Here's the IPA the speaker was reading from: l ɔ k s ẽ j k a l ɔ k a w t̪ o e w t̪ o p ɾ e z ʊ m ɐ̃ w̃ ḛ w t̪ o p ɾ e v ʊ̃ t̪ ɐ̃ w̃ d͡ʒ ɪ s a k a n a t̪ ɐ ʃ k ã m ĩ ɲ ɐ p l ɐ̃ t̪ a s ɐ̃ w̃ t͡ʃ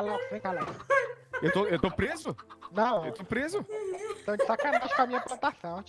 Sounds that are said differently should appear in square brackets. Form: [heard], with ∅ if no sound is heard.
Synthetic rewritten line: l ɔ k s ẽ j k a l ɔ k [e] w t̪ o e w t̪ o p ɾ e z ʊ [n] ɐ̃ w̃ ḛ w t̪ o p ɾ e [z] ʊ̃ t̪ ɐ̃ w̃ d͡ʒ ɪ s a k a n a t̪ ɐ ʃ k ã m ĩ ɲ ɐ p l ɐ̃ t̪ a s ɐ̃ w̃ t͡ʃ

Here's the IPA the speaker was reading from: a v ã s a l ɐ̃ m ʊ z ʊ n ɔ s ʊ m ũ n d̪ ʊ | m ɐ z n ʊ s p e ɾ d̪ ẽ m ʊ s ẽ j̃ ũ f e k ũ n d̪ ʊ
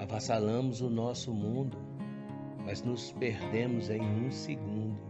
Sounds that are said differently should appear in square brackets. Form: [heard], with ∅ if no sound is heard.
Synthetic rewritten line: a v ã s a l ɐ̃ m ʊ z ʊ n ɔ s ʊ m ũ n d̪ ʊ | m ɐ z n ʊ s p e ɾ d̪ ẽ m ʊ [z] ẽ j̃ ũ [s] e [ɡ] ũ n d̪ ʊ

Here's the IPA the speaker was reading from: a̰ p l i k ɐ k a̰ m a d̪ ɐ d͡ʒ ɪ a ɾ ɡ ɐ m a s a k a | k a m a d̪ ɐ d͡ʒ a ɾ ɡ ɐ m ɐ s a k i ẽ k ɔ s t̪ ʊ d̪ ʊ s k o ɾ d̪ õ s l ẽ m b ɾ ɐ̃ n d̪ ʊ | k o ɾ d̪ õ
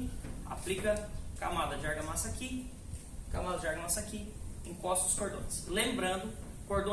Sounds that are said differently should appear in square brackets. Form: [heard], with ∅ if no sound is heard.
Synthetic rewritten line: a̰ p l i k ɐ k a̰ m a d̪ ɐ d͡ʒ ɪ a ɾ ɡ ɐ m a s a k [i] | k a m a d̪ ɐ d͡ʒ a ɾ ɡ ɐ m [a] s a k i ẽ k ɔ s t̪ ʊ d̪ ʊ s k o ɾ d̪ õ s l ẽ m b ɾ ɐ̃ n d̪ ʊ | k o ɾ d̪ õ

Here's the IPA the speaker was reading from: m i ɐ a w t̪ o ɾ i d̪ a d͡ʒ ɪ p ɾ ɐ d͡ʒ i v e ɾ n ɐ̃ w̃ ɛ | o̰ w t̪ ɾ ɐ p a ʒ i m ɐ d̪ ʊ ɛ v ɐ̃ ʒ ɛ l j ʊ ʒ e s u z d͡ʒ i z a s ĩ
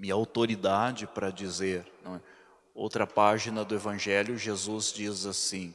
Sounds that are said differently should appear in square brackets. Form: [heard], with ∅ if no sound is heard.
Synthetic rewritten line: m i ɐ a w t̪ o ɾ i d̪ a d͡ʒ ɪ p ɾ ɐ d͡ʒ i [z] e ɾ n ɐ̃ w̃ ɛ | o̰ w t̪ ɾ ɐ p a ʒ i [n] ɐ d̪ ʊ [e] v ɐ̃ ʒ ɛ l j ʊ ʒ e [z] u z d͡ʒ i z a s ĩ

